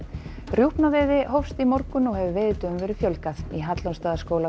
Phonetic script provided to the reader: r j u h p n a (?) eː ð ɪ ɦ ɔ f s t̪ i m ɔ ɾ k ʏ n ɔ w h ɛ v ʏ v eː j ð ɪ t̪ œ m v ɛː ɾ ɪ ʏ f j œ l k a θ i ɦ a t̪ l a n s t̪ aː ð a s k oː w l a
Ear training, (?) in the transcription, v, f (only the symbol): v